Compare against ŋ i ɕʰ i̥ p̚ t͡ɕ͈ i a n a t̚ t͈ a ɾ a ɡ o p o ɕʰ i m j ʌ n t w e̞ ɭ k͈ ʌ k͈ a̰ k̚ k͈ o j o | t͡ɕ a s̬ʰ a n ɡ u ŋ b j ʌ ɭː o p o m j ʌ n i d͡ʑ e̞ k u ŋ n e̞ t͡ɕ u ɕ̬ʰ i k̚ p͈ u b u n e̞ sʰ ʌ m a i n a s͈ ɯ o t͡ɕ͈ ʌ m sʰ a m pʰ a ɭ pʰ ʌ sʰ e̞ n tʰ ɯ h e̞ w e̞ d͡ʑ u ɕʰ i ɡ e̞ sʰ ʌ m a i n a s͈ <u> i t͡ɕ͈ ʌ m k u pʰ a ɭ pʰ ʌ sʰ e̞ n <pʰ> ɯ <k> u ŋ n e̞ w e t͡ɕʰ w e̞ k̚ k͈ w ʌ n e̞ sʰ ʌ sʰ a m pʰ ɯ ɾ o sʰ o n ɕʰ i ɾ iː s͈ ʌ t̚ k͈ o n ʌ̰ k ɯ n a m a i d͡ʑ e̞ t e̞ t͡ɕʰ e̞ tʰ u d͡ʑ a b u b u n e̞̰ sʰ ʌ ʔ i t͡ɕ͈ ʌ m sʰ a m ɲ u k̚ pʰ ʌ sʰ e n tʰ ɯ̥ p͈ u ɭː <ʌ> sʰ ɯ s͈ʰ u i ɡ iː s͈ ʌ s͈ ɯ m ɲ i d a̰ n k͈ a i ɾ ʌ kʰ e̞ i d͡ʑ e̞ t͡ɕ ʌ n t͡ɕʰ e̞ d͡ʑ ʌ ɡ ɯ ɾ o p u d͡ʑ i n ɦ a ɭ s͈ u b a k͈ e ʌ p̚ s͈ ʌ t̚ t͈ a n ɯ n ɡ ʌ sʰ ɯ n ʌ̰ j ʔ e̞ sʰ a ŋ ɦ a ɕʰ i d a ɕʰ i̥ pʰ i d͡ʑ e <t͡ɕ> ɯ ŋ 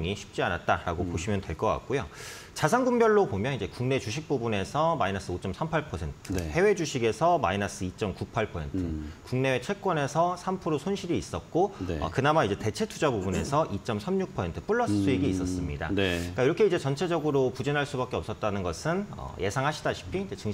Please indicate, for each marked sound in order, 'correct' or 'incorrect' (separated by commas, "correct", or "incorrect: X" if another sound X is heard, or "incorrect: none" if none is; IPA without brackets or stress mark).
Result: incorrect: ɯ, incorrect: tʰ, correct, correct, correct